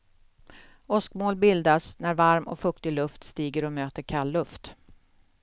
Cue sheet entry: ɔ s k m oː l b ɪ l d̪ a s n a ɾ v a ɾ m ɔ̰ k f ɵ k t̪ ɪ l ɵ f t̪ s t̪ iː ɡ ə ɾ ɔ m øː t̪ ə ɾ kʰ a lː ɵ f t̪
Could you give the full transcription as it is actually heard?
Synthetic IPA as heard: ɔ s k m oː l b ɪ l d̪ a s n æ ɾ v a ɾ m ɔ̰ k f ɵ k t̪ ɪ l ɵ f t̪ s t̪ iː ɡ ə ɾ ɔ m øː t̪ ə ɾ kʰ a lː ɵ f t̪